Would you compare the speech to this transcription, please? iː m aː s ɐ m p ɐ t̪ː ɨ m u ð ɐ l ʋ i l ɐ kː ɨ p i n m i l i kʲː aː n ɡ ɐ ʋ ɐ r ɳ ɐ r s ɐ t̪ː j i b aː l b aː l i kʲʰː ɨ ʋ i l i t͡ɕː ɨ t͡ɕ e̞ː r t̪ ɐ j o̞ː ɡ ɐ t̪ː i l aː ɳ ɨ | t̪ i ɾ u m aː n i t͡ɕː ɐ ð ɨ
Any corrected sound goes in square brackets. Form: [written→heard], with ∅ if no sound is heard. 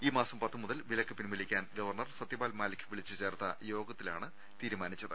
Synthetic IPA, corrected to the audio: iː m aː s ɐ m p ɐ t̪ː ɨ m u ð ɐ l ʋ i l ɐ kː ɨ p i n m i l i kʲː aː n ɡ ɐ ʋ ɐ r ɳ ɐ r s ɐ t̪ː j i b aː l [b→m] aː l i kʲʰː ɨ ʋ i [l→ɭ] i t͡ɕː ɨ t͡ɕ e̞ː r t̪ ɐ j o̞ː ɡ ɐ t̪ː i l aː ɳ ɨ | t̪ [i→iː] ɾ u m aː n i t͡ɕː ɐ ð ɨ